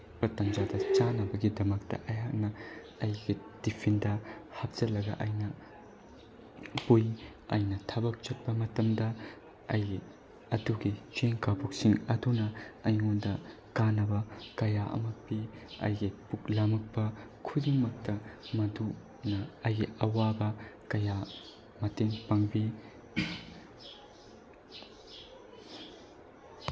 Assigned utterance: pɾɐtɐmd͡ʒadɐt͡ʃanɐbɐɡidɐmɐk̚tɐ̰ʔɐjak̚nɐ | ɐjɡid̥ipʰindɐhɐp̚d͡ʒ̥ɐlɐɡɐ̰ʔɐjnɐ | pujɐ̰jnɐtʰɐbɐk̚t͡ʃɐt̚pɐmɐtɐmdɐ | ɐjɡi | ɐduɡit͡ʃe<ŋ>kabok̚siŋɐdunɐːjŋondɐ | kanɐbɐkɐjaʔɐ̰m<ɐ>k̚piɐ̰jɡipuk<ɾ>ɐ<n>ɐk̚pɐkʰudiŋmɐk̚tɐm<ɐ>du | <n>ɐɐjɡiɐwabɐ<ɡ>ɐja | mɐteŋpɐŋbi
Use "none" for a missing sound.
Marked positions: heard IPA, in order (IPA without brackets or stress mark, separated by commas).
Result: ŋ, ɐ, l, m, ɐ, n, k